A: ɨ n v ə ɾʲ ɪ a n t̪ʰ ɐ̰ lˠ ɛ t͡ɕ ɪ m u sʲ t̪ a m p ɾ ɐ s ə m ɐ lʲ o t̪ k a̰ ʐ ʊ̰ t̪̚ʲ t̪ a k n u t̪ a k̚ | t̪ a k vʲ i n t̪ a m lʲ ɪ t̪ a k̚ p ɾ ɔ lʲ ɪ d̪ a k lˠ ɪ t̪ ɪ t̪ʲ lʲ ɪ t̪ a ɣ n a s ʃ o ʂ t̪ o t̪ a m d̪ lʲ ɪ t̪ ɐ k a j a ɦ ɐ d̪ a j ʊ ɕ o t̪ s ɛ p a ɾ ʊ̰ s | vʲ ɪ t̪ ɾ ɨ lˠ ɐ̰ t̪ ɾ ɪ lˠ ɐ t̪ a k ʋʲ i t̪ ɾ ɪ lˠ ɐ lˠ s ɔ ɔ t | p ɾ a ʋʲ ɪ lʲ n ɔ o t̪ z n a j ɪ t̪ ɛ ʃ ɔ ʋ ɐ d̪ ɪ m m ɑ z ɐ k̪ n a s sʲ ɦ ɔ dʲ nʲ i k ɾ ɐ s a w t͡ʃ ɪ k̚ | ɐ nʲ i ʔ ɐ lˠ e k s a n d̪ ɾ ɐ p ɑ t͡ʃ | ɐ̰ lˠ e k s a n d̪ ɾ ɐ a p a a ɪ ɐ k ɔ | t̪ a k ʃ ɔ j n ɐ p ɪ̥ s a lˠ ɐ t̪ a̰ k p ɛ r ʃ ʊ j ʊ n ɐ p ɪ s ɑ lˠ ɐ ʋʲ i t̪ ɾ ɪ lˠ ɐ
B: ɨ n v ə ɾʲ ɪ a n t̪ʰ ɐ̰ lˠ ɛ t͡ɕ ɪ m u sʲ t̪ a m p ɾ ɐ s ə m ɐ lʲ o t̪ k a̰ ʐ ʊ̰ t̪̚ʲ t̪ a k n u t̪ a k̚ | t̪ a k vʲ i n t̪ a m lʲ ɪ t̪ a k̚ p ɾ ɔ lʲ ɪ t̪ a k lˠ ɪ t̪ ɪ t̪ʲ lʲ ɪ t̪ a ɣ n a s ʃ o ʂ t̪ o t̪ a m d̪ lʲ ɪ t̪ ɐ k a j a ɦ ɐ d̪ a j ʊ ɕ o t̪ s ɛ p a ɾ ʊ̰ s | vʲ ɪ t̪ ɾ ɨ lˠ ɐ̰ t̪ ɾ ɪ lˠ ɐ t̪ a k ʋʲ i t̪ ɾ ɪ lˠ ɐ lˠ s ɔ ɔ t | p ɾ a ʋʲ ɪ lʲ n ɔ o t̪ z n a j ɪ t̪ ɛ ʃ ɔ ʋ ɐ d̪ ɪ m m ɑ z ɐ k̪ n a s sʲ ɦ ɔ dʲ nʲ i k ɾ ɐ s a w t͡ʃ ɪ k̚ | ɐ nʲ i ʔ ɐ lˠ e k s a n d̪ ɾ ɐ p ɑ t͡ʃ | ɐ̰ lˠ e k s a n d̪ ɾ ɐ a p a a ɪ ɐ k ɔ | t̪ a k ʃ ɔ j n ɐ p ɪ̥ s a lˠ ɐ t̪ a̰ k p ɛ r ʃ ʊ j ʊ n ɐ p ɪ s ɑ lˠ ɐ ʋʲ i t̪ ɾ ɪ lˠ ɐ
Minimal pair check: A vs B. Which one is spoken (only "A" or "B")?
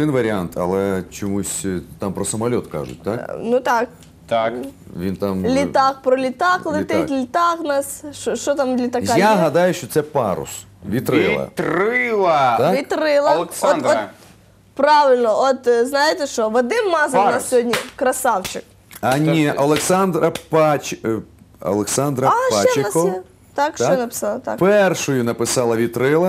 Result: B